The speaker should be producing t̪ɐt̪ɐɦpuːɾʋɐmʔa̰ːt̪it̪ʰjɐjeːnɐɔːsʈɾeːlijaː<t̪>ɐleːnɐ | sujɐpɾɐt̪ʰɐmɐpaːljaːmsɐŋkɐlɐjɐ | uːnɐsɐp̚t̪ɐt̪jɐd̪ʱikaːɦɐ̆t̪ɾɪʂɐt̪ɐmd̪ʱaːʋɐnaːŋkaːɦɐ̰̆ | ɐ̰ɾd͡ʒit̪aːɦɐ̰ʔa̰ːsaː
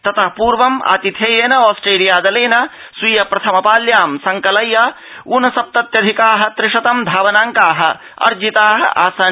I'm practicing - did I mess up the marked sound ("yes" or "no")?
yes